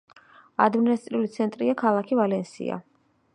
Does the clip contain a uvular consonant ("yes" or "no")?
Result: no